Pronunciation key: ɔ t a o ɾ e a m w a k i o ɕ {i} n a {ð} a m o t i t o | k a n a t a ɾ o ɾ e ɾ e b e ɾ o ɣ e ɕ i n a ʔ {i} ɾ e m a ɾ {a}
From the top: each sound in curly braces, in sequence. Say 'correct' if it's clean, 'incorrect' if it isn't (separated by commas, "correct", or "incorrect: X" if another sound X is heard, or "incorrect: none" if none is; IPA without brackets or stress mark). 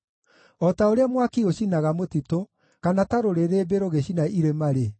correct, incorrect: ɣ, correct, incorrect: e